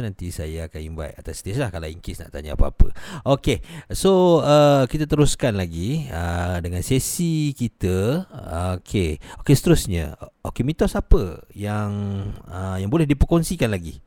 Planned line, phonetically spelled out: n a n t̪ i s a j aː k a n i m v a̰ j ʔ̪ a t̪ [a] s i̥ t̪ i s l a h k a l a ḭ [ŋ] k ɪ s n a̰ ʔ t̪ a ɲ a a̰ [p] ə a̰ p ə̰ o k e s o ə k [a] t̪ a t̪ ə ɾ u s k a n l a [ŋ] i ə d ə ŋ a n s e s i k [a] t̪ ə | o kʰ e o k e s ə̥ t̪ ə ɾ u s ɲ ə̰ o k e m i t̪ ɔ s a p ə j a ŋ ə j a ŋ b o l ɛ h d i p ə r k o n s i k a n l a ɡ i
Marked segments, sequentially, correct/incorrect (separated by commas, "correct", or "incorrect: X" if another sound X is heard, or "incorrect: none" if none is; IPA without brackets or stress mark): correct, correct, correct, incorrect: i, incorrect: ɡ, incorrect: i